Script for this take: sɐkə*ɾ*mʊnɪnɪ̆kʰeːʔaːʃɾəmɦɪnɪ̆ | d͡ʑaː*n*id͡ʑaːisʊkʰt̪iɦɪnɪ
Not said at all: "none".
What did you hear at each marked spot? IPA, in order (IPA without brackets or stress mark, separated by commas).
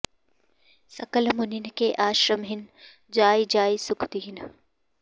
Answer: l, none